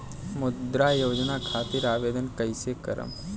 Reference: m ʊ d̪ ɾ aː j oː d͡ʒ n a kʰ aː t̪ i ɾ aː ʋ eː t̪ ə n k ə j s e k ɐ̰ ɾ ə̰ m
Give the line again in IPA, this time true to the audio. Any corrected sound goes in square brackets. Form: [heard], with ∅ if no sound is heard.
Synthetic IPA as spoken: m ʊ d̪ ɾ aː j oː d͡ʒ n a kʰ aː t̪ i ɾ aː ʋ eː [d̪] ə n k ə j s e k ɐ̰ ɾ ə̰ m